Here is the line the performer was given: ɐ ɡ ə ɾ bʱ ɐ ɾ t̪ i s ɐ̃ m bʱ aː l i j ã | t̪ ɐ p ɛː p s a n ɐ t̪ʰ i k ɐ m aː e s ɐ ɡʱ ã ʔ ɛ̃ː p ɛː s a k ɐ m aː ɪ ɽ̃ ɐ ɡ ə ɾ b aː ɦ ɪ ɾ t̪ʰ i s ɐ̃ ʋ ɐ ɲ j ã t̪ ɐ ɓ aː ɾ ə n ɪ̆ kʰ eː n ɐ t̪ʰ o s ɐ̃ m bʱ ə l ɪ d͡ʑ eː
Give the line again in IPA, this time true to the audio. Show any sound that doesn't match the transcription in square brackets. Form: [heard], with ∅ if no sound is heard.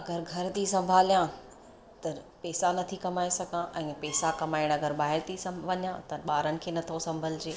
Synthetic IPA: ɐ ɡ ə ɾ [ɡʱ] ɐ ɾ t̪ i s ɐ̃ m bʱ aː l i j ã | t̪ ɐ p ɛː [∅] s a n ɐ t̪ʰ i k ɐ m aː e s ɐ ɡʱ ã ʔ ɛ̃ː p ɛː s a k ɐ m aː ɪ ɽ̃ ɐ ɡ ə ɾ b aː ɦ ɪ ɾ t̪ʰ i s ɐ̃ ʋ ɐ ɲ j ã t̪ ɐ ɓ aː ɾ ə n ɪ̆ kʰ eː n ɐ t̪ʰ o s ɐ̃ m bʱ ə l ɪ d͡ʑ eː

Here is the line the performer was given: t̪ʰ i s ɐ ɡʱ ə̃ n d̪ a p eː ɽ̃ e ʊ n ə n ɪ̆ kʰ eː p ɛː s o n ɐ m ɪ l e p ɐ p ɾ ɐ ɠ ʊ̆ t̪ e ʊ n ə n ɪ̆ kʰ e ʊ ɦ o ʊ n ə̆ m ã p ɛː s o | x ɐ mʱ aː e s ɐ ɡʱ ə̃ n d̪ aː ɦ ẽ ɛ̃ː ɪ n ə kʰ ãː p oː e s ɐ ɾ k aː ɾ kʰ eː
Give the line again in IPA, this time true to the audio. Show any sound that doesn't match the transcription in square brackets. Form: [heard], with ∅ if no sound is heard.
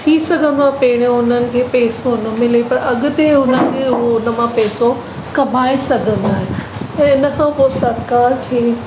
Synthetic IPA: t̪ʰ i s ɐ ɡʱ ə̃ n d̪ a p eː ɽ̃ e ʊ n ə n ɪ̆ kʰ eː p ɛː s o n ɐ m ɪ l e p ɐ [∅] ɾ ɐ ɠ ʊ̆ t̪ e ʊ n ə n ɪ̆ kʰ e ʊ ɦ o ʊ n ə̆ m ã p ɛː s o | [k] ɐ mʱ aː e s ɐ ɡʱ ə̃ n d̪ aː ɦ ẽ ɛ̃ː ɪ n ə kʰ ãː p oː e s ɐ ɾ k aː ɾ kʰ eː

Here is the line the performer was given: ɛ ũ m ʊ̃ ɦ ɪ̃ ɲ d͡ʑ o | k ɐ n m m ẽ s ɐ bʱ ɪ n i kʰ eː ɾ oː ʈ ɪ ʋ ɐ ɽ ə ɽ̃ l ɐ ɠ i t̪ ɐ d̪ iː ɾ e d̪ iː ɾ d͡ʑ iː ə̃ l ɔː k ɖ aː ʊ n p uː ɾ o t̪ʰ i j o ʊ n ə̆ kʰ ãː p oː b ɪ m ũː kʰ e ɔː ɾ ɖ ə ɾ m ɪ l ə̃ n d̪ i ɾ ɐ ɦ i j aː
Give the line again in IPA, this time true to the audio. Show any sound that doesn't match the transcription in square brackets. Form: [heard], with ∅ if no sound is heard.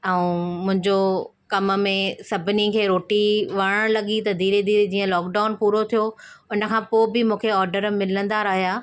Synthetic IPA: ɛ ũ m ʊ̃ ɦ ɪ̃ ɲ d͡ʑ o | k ɐ [∅] m m ẽ s ɐ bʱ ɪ n i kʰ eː ɾ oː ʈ [i] ʋ ɐ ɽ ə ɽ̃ l ɐ ɠ i t̪ ɐ d̪ iː ɾ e d̪ iː ɾ d͡ʑ iː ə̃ l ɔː k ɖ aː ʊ n p uː ɾ o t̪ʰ i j o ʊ n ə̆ kʰ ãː p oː b ɪ m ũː kʰ e ɔː ɾ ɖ ə ɾ m ɪ l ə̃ n d̪ [a] ɾ ɐ ɦ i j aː

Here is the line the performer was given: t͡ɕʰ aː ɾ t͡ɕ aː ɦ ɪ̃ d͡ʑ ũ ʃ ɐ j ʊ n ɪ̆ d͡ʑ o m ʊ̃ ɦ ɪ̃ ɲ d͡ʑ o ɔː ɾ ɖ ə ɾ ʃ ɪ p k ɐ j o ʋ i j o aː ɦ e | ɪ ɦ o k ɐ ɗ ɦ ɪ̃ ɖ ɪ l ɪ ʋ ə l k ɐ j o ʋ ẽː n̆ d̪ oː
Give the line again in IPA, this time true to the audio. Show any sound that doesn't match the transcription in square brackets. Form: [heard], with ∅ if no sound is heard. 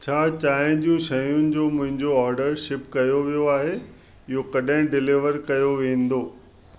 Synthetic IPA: t͡ɕʰ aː [∅] t͡ɕ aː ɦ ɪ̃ d͡ʑ ũ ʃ ɐ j ʊ n ɪ̆ d͡ʑ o m ʊ̃ ɦ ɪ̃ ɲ d͡ʑ o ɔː ɾ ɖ ə ɾ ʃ ɪ p k ɐ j o ʋ i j o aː ɦ e | ɪ ɦ o k ɐ ɗ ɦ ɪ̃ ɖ ɪ l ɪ ʋ ə [ɾ] k ɐ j o ʋ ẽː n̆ d̪ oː

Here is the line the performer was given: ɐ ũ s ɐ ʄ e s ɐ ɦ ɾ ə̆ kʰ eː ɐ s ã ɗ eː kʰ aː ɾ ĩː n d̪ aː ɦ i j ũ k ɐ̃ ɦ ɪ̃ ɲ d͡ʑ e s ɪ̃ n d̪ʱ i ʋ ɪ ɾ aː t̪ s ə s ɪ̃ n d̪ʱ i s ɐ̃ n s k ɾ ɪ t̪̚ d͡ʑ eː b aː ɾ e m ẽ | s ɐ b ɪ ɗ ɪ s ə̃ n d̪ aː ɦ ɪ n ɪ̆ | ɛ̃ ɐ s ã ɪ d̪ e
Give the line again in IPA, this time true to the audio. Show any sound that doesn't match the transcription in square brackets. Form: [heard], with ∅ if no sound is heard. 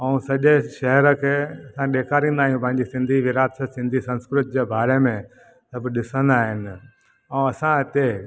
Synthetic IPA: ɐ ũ s ɐ ʄ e [ʃ] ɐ ɦ ɾ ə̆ kʰ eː ɐ s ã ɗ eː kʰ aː ɾ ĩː n d̪ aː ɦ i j ũ [p] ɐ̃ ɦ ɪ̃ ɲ d͡ʑ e s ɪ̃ n d̪ʱ i ʋ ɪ ɾ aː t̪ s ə s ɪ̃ n d̪ʱ i s ɐ̃ n s k ɾ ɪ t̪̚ d͡ʑ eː b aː ɾ e m ẽ | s ɐ b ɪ ɗ ɪ s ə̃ n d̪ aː ɦ ɪ n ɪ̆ | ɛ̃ ɐ s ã ɪ [t̪] e

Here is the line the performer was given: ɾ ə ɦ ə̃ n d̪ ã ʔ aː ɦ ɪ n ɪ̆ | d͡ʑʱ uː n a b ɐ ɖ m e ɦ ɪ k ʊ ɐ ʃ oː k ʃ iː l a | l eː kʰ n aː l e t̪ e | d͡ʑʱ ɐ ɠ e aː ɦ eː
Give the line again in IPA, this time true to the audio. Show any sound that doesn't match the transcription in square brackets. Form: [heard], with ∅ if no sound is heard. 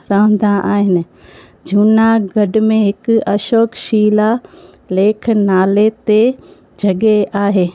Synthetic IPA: ɾ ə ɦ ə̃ n d̪ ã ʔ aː ɦ ɪ n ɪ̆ | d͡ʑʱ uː n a [ɡ] ɐ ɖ m [ẽ] ɦ ɪ k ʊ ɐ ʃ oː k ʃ iː l a | l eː kʰ n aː l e t̪ e | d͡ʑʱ ɐ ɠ e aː ɦ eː

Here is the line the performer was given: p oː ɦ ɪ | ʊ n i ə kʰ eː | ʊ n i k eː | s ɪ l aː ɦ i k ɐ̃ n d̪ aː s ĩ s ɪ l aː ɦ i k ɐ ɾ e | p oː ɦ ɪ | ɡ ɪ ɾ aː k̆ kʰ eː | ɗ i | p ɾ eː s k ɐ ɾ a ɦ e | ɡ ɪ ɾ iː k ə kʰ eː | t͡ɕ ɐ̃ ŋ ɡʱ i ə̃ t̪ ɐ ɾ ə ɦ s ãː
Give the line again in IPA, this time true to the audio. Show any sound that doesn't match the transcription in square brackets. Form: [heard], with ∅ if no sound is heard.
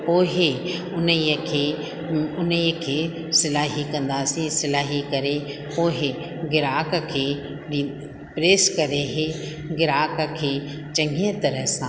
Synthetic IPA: p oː ɦ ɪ | ʊ n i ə kʰ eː | ʊ n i [kʰ] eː | s ɪ l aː ɦ i k ɐ̃ n d̪ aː s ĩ s ɪ l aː ɦ i k ɐ ɾ e | p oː ɦ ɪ | ɡ ɪ ɾ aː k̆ kʰ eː | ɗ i | p ɾ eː s k ɐ ɾ [e] ɦ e | ɡ ɪ ɾ [aː] k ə kʰ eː | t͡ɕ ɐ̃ ŋ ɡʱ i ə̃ t̪ ɐ ɾ ə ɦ s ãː

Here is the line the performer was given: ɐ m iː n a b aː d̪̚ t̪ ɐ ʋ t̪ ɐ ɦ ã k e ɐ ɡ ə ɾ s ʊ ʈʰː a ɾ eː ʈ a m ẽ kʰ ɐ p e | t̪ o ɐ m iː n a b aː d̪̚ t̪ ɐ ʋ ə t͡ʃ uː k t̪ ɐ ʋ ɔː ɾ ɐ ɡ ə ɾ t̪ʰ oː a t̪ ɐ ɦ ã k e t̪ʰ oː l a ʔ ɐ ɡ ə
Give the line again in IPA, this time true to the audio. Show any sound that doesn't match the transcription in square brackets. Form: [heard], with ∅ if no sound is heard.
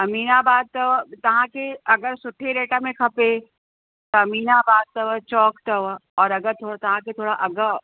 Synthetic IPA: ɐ m iː n a b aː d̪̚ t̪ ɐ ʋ t̪ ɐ ɦ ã k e ɐ ɡ ə ɾ s ʊ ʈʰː [e] ɾ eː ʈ a m ẽ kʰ ɐ p e | t̪ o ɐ m iː n a b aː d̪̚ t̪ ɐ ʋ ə t͡ʃ [ɔː] k t̪ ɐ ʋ ɔː ɾ ɐ ɡ ə ɾ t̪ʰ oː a t̪ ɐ ɦ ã k e t̪ʰ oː [ɽ] a ʔ ɐ ɡ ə

